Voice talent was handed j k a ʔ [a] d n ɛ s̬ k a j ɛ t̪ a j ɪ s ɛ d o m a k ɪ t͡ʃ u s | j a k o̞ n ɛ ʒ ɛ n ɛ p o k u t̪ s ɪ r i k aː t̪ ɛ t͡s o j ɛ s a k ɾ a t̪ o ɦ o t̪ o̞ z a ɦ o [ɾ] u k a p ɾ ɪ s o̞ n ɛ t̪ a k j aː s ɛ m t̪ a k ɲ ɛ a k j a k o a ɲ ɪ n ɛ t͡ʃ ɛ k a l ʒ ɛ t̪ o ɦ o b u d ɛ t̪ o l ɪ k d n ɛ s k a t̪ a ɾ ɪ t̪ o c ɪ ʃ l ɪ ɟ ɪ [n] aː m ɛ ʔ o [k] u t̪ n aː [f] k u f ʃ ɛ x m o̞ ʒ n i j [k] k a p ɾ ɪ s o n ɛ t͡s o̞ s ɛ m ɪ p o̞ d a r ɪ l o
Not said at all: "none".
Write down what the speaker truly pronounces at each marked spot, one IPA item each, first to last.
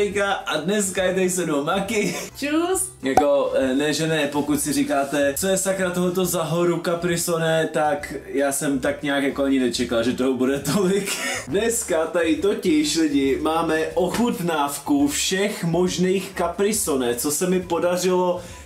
a, ɾ, m, x, f, x

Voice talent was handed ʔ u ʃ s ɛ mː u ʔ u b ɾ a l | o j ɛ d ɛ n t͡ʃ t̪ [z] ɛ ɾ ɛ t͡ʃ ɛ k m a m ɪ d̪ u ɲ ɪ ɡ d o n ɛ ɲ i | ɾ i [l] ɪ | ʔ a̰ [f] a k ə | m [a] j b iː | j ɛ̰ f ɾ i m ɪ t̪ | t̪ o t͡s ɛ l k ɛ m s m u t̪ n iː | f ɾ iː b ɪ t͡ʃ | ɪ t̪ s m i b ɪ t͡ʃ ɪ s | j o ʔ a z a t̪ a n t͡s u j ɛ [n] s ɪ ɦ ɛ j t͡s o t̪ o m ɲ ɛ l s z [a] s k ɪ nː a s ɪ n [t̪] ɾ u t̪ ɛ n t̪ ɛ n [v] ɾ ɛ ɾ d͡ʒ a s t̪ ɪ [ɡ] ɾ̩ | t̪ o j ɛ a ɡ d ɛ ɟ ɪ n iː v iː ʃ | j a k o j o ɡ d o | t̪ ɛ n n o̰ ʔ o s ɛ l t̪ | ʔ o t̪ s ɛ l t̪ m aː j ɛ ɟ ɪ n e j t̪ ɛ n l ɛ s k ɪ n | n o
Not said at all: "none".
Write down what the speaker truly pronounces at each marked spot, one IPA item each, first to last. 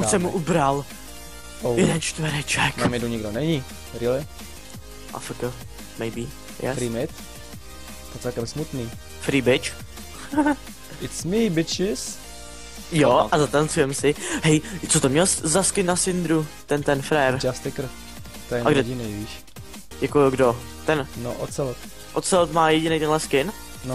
v, l, f, ɛ, m, a, d̪, f, k

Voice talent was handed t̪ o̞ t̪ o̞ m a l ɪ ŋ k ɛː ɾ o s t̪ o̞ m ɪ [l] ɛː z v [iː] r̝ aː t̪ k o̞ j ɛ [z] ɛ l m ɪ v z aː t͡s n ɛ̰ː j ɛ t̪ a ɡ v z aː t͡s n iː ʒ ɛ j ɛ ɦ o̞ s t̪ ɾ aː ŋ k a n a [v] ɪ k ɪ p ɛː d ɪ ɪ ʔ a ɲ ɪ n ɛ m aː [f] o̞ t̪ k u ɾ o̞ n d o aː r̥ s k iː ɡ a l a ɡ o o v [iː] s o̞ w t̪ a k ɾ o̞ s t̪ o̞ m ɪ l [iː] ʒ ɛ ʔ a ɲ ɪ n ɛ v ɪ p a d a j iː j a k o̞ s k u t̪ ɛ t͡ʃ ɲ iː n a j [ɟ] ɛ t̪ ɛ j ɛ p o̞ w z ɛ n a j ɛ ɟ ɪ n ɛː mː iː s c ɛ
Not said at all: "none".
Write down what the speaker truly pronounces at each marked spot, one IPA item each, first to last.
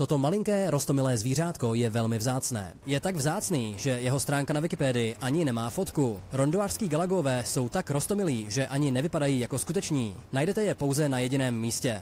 l, iː, v, v, f, ɛː, iː, d

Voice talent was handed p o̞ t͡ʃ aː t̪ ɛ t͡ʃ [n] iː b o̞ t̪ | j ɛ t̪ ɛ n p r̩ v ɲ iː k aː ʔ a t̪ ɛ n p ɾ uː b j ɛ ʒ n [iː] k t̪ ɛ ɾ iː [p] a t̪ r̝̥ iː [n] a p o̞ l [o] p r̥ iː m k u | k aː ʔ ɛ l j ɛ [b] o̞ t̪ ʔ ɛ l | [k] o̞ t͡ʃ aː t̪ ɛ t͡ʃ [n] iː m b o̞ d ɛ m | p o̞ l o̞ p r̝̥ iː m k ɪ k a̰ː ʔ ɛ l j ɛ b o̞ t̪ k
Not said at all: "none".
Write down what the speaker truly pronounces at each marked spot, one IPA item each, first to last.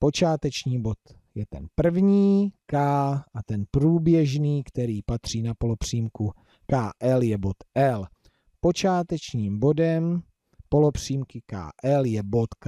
ɲ, iː, p, n, o, b, p, ɲ

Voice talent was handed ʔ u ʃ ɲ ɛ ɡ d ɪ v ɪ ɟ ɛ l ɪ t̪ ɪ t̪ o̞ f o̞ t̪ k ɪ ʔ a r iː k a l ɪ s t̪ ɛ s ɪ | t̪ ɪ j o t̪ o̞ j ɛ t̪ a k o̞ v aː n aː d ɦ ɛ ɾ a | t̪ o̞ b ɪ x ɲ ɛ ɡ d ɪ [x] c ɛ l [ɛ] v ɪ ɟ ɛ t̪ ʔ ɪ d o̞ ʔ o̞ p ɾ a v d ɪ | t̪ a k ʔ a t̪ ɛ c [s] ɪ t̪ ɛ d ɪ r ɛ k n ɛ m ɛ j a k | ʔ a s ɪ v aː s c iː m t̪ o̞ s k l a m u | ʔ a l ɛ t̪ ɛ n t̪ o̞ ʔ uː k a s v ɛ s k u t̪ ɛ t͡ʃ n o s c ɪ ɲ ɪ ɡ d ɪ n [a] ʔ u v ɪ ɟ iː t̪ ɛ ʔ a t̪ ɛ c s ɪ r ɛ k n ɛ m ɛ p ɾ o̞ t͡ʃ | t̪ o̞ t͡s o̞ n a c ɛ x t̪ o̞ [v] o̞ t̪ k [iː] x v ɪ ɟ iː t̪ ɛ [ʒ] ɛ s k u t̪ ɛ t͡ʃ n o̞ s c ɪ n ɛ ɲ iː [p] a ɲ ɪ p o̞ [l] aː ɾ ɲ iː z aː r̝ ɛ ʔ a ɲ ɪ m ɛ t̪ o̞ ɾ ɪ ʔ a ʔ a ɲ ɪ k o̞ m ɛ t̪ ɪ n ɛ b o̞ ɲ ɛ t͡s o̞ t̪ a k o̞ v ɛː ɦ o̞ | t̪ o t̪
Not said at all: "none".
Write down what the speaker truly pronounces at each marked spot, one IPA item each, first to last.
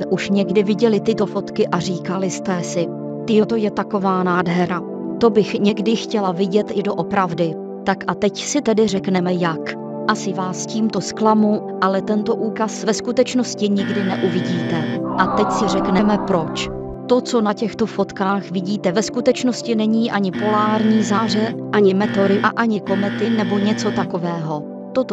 x, a, s, ɛ, f, aː, v, ʔ, l

